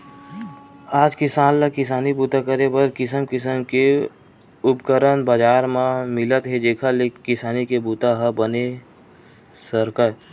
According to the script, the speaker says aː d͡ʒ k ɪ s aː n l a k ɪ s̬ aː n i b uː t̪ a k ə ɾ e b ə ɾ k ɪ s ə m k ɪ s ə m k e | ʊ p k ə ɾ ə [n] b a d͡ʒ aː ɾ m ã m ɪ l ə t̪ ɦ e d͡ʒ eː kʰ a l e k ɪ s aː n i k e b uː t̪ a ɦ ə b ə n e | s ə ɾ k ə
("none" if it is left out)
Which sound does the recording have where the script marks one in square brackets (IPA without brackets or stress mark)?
n